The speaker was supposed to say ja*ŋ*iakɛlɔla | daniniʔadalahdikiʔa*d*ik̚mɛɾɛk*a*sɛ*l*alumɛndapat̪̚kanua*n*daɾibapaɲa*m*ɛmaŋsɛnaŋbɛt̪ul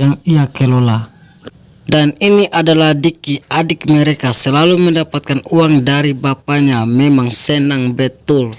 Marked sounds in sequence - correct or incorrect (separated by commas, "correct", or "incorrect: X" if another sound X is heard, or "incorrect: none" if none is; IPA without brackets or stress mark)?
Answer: correct, correct, correct, correct, incorrect: ŋ, correct